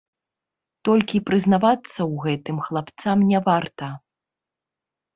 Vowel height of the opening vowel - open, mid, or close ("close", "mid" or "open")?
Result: mid